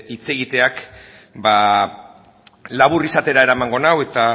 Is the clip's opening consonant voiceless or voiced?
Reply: voiceless